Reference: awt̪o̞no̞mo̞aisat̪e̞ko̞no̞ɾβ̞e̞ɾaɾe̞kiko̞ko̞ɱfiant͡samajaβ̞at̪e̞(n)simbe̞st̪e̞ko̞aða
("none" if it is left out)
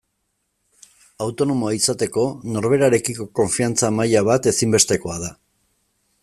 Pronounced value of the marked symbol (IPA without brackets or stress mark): none